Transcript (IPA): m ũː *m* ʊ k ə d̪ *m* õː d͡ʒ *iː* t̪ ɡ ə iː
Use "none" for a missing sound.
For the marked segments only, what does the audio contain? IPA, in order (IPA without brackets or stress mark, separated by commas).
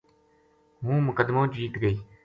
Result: m, m, iː